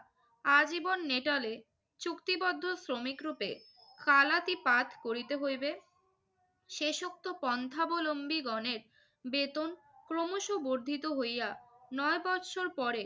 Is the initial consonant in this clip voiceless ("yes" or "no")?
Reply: no